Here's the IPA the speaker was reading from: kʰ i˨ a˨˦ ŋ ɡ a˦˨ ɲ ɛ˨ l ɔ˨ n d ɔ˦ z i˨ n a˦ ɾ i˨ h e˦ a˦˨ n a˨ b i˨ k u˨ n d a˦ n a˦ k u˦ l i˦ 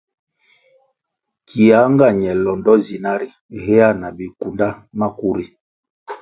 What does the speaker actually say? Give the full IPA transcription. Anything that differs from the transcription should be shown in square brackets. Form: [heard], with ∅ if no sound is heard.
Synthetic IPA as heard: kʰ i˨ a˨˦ ŋ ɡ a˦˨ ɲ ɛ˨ l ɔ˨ n d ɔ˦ z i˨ n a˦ ɾ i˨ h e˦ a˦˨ n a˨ b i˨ k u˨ n d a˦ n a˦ k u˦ [ɾ] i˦